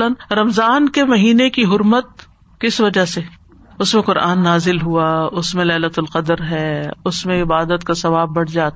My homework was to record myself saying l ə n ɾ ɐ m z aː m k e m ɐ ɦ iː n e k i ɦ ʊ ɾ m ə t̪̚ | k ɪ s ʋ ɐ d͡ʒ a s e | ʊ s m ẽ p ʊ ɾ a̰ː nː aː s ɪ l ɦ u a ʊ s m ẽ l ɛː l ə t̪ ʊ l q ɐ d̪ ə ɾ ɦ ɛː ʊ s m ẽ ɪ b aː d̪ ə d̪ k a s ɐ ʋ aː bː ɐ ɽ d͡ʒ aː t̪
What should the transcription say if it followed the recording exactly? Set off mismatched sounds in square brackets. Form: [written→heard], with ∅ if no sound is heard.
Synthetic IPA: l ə n ɾ ɐ m z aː [m→n] k e m ɐ ɦ iː n e k i ɦ ʊ ɾ m ə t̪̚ | k ɪ s ʋ ɐ d͡ʒ a s e | ʊ s m ẽ [p→q] ʊ ɾ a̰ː nː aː [s→z] ɪ l ɦ u a ʊ s m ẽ l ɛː l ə t̪ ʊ l q ɐ d̪ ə ɾ ɦ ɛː ʊ s m ẽ ɪ b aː d̪ ə [d̪→t̪] k a s ɐ ʋ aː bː ɐ ɽ d͡ʒ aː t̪